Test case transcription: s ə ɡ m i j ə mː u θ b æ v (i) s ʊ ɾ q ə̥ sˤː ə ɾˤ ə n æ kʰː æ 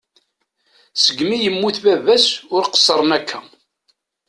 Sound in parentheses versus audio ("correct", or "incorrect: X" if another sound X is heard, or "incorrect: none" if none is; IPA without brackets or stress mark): incorrect: æ